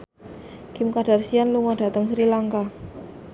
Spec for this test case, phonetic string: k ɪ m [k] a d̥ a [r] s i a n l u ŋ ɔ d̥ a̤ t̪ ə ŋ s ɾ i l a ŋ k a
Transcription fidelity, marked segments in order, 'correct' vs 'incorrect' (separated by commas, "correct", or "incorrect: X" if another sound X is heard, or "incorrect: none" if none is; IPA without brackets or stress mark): correct, correct